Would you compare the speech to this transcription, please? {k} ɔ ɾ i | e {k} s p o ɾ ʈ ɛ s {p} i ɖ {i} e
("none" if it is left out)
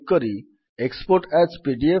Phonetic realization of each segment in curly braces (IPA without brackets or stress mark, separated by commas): k, k, p, i